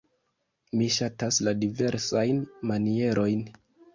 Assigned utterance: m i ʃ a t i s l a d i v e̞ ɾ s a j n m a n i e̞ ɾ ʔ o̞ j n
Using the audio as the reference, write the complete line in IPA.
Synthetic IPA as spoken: m i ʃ a t a s l a d i v e̞ ɾ s a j n m a n i e̞ ɾ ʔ o̞ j n